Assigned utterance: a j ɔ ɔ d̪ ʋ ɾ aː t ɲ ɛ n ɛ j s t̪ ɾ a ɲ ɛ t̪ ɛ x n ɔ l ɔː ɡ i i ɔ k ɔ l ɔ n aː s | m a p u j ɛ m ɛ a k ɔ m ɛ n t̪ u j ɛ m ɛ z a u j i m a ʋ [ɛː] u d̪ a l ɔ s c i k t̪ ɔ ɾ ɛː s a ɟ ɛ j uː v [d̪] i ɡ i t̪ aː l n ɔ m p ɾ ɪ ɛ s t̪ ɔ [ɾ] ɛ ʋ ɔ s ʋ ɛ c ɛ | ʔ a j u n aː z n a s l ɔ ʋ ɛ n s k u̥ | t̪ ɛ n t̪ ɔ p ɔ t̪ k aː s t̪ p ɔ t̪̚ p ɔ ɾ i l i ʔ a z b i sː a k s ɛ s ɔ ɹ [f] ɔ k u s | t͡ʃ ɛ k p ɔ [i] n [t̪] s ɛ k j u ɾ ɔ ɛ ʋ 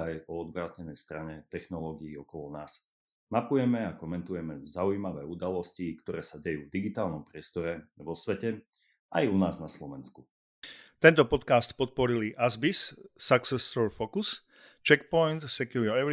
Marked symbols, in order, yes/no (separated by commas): yes, yes, yes, yes, no, yes